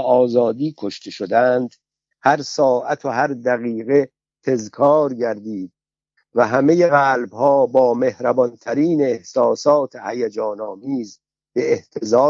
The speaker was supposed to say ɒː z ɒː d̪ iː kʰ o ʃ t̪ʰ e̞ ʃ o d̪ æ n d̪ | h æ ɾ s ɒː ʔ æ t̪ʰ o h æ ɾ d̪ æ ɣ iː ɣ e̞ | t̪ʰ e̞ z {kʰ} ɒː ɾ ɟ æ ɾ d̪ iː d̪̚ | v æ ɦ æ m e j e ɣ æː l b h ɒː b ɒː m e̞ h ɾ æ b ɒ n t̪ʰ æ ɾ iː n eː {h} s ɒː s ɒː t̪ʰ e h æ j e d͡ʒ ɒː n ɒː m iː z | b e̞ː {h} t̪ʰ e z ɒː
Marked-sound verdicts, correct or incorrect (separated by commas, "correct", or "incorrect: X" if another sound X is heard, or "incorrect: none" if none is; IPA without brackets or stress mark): correct, correct, correct